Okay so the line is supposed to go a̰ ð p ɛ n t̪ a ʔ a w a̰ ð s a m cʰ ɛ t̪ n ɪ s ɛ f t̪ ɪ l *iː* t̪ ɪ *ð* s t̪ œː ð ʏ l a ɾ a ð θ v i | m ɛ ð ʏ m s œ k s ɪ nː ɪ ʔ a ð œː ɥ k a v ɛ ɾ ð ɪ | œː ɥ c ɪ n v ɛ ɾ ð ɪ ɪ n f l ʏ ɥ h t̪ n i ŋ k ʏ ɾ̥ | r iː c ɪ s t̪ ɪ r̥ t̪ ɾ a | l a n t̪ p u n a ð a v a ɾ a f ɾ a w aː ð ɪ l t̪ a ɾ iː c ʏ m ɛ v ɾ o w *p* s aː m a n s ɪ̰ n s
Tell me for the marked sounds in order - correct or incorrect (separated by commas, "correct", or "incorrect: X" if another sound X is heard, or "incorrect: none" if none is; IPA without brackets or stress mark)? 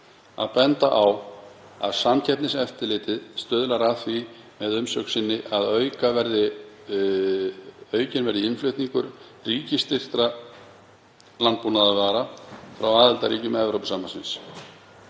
incorrect: ɪː, correct, correct